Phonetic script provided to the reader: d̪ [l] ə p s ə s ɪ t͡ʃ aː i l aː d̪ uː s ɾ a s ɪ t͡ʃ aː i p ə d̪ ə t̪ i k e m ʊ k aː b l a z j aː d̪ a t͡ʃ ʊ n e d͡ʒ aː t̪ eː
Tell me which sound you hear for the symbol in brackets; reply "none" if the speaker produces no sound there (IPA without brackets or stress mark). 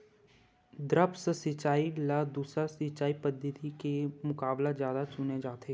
ɾ